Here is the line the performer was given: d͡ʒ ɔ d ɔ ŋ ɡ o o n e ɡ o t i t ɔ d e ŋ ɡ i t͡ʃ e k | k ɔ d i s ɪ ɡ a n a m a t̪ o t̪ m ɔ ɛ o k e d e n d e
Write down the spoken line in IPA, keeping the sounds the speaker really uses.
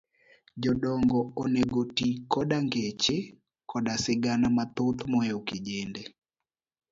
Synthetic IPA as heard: d͡ʒ ɔ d ɔ ŋ ɡ ɔ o n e ɡ o t i k ɔ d a ŋ ɡ e t͡ʃ e | k ɔ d a s ɪ ɡ a n a m a t̪ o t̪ m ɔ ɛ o k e d͡ʒ e n d e